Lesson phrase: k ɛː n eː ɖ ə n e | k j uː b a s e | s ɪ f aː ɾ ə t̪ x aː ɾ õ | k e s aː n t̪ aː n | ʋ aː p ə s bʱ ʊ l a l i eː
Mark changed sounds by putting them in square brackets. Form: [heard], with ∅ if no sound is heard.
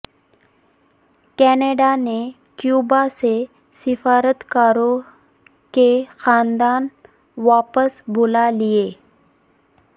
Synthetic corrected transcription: k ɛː n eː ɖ [a] n e | k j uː b a s e | s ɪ f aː ɾ ə t̪ [k] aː ɾ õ | k e [x] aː n [d̪] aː n | ʋ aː p ə s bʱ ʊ l a l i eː